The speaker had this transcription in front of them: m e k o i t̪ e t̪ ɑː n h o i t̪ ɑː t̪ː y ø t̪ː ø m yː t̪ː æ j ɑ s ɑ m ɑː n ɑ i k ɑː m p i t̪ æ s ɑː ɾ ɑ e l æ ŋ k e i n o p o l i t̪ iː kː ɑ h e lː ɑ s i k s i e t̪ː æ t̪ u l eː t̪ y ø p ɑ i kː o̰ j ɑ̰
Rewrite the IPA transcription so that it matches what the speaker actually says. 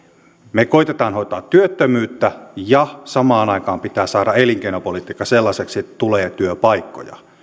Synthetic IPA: m e k o i t̪ e t̪ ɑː n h o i t̪ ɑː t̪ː y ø t̪ː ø m yː t̪ː æ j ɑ s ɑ m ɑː n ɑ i k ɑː m p i t̪ æː s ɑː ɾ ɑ e l i ŋ k e i n o p o l i t̪ iː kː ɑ s e lː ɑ s e k s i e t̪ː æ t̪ u l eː t̪ y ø p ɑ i kː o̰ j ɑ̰